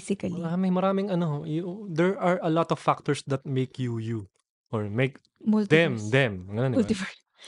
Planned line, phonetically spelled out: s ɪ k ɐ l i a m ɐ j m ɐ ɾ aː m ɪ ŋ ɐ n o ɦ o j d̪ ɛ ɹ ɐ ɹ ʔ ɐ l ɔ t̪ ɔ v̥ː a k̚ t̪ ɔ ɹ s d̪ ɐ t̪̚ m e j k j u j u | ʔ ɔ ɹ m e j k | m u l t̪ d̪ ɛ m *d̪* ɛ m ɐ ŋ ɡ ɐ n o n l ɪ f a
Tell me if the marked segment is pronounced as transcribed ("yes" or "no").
yes